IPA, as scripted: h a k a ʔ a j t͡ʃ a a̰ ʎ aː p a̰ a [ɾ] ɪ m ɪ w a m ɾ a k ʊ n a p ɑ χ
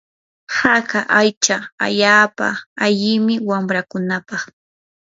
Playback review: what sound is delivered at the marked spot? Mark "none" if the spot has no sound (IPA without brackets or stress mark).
ʎ